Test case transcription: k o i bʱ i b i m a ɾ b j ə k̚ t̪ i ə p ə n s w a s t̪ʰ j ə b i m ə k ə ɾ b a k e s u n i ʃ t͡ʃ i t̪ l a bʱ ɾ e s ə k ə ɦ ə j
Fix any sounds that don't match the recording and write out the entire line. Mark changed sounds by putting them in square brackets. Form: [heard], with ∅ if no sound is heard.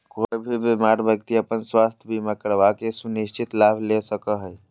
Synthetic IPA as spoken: k o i bʱ i b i m a ɾ b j ə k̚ t̪ i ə p ə n s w a s t̪ʰ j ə b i m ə k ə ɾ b a k e s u n i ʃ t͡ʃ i t̪ l a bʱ [l] e s ə k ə ɦ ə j